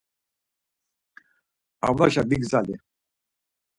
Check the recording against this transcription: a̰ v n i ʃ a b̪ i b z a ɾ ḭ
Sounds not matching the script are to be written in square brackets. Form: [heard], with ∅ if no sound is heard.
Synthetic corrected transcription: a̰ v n [a] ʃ a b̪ i [ɡ] z a [l] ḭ